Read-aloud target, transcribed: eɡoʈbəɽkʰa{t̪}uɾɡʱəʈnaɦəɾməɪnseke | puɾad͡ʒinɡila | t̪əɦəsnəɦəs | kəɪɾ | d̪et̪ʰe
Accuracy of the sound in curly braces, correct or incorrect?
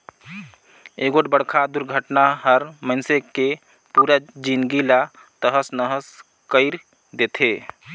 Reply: incorrect